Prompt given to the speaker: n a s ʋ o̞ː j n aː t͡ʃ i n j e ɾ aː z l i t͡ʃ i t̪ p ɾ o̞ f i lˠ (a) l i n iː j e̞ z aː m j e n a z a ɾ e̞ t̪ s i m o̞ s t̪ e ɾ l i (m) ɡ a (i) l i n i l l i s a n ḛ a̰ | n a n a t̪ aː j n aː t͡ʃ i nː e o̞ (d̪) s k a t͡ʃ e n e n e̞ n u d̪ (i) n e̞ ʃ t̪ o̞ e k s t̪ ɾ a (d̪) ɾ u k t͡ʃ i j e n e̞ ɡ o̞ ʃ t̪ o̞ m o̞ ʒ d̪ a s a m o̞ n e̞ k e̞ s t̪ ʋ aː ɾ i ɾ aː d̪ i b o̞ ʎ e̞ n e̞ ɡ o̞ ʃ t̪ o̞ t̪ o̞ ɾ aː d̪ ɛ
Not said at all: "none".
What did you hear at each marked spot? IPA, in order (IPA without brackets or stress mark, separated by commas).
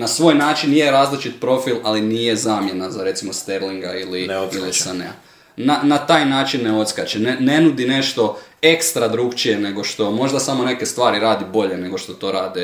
a, ŋ, i, t̪, i, d̪